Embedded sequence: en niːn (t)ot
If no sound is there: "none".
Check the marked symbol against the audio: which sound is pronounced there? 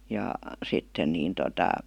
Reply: t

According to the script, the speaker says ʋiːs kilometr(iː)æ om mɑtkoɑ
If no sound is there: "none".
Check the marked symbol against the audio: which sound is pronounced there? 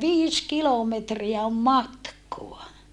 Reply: i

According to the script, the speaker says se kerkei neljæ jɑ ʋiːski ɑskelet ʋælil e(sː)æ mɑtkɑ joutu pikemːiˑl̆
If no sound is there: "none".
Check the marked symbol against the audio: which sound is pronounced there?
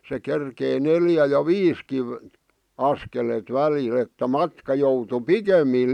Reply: tː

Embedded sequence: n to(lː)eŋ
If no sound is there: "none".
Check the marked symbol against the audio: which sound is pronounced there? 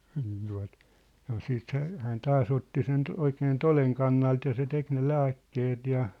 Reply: l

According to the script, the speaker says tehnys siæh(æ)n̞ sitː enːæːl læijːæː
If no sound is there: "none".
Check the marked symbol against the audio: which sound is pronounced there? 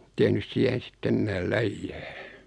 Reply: e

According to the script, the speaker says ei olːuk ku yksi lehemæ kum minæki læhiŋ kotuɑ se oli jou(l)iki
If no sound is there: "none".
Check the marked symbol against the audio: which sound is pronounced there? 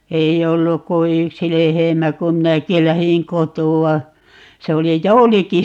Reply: l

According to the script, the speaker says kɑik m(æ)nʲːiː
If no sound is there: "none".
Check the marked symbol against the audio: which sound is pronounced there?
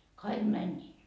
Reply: æ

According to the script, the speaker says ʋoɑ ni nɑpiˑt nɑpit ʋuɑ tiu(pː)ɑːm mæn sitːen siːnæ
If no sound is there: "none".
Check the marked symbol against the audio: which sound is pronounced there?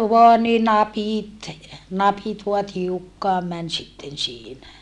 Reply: kː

